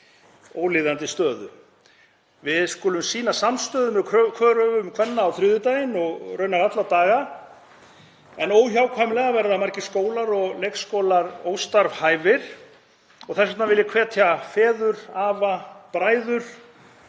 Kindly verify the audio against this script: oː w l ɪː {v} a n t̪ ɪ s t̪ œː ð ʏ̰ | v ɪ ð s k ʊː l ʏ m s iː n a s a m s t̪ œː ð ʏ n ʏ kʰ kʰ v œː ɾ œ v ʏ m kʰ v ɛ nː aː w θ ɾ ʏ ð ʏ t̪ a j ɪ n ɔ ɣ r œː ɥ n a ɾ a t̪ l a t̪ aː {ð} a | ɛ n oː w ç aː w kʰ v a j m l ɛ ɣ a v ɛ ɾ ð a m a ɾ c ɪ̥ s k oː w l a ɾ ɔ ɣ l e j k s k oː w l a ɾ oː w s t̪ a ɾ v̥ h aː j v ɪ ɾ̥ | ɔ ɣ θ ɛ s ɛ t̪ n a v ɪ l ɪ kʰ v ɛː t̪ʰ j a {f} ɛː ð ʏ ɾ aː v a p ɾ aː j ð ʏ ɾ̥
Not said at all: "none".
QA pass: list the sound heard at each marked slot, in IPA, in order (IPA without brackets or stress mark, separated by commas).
ð, ɣ, f